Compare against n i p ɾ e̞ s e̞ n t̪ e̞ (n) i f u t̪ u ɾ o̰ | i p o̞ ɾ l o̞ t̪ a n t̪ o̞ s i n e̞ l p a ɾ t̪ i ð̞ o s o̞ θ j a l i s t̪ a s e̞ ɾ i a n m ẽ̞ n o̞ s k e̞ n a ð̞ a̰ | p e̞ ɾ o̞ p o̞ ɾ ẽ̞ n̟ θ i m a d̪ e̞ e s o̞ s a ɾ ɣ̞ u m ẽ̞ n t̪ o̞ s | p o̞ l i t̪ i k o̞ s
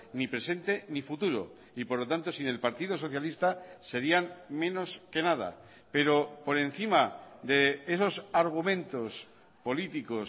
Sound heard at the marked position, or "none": n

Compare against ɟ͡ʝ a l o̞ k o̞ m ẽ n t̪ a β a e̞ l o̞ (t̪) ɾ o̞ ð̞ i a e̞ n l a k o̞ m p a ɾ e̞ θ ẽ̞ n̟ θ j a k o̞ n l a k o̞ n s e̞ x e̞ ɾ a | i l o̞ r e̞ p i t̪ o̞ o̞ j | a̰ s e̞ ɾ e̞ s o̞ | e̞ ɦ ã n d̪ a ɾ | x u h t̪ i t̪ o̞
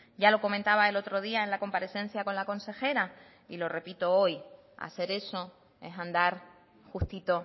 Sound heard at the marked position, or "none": t̪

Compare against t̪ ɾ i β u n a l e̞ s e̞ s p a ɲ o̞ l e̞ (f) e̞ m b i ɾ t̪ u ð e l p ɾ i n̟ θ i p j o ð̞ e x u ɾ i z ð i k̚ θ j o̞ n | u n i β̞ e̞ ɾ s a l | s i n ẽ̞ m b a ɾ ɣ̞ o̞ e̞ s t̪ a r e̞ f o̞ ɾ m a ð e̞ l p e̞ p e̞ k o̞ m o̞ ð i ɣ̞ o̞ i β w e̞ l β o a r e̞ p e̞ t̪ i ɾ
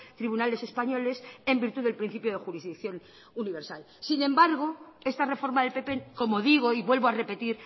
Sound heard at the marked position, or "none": s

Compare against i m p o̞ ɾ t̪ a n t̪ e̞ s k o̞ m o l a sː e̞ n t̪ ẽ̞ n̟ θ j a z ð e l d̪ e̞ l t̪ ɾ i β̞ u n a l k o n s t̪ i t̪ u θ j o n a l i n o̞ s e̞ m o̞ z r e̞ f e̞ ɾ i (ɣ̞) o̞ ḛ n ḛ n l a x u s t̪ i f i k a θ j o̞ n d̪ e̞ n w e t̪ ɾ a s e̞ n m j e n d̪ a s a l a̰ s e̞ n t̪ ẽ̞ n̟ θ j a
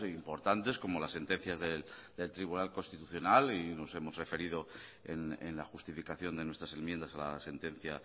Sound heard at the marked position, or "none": ð̞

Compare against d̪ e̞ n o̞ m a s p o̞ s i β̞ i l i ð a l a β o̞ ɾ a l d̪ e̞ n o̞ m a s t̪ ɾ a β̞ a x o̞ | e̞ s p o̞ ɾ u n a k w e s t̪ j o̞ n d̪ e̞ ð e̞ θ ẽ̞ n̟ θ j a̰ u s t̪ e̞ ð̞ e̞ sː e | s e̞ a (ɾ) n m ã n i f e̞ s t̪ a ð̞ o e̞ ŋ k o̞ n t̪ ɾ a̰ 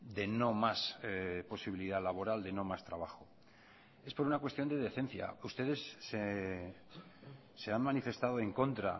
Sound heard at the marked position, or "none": none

